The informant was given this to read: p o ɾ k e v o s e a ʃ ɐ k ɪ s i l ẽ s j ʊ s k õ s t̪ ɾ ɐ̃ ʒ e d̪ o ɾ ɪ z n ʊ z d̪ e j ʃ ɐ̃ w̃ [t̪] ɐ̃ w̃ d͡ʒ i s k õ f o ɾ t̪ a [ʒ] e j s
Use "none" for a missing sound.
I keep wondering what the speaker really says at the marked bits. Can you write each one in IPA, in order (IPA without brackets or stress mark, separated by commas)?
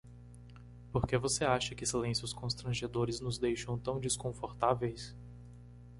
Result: t̪, v